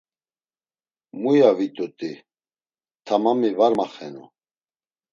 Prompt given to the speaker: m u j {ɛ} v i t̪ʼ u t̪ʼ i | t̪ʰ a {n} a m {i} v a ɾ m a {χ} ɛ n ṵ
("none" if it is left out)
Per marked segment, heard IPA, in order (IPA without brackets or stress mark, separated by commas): a, m, i, χ